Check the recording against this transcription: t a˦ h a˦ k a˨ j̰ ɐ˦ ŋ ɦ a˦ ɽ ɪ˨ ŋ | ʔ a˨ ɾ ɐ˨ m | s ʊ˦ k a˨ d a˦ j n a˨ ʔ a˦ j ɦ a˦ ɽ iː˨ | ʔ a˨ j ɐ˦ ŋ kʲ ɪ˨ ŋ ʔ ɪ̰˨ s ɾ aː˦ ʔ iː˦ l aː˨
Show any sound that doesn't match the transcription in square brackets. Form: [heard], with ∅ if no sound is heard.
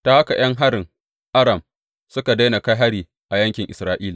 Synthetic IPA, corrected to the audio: t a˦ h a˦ k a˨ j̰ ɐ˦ ŋ ɦ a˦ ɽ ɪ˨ ŋ | ʔ [a˦] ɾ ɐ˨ m | s ʊ˦ k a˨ d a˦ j n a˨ [k] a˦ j ɦ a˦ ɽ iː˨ | ʔ a˨ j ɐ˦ ŋ kʲ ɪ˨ ŋ ʔ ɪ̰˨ s ɾ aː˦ ʔ iː˦ l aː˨